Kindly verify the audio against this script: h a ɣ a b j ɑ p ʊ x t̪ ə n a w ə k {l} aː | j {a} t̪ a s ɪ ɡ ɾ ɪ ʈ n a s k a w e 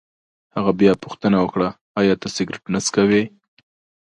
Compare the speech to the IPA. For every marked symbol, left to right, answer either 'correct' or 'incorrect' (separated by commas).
incorrect, incorrect